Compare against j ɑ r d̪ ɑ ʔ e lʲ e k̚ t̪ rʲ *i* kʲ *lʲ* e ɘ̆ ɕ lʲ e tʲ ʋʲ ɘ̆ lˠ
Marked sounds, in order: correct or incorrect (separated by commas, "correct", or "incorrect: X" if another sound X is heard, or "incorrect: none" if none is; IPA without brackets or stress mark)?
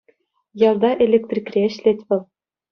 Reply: correct, incorrect: rʲ